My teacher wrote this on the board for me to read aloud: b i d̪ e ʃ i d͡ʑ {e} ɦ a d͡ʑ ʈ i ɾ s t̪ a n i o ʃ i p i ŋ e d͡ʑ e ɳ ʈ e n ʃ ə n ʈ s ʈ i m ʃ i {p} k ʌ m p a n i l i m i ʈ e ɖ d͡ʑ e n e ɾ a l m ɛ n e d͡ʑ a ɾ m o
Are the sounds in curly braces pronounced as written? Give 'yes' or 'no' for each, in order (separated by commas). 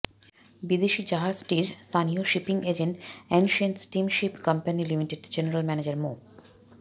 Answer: no, yes